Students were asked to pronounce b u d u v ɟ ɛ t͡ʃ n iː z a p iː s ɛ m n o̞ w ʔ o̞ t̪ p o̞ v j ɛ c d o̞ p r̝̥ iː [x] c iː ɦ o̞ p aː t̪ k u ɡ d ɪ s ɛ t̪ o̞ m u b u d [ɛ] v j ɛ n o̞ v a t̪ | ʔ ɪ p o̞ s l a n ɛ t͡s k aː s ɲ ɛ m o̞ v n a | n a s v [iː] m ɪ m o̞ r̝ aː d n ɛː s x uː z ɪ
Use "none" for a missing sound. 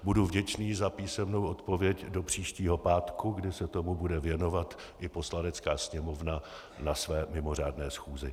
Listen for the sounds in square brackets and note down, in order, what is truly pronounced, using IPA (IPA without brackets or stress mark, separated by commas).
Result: ʃ, ɛ, ɛː